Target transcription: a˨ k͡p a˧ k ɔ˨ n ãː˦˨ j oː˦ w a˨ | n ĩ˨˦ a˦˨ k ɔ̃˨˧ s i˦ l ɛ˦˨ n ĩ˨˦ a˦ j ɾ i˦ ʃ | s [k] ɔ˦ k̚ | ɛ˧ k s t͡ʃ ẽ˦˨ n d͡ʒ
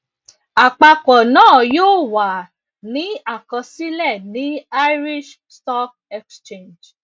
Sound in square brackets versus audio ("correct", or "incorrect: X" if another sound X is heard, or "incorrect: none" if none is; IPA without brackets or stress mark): incorrect: t